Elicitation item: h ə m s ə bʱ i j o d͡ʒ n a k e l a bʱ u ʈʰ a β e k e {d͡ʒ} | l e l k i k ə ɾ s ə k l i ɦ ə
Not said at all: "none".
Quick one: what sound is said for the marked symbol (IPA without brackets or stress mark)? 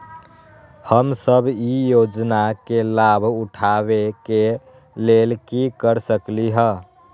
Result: none